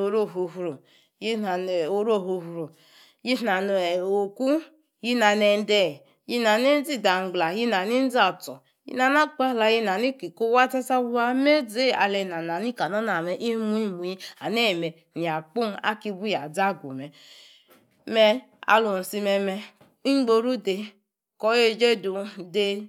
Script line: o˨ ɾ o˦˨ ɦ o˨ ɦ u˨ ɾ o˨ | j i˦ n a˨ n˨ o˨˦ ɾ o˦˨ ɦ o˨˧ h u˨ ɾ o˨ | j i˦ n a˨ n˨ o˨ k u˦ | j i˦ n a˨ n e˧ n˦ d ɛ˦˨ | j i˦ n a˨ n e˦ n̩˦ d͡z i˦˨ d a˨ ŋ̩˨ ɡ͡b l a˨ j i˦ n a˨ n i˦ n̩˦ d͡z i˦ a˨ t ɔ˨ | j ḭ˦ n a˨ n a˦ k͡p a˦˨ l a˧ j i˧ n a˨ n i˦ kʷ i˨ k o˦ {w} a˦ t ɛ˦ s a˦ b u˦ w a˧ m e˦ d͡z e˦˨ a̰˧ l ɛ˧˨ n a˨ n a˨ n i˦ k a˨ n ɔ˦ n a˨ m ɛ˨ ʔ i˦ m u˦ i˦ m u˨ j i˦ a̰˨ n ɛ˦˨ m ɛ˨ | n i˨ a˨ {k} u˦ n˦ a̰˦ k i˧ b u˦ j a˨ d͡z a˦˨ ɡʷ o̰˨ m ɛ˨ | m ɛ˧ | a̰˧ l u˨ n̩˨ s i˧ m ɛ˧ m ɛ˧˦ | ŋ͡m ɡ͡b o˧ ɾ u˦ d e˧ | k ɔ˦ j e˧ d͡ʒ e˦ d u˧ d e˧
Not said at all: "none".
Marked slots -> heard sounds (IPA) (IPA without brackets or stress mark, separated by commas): w, k͡p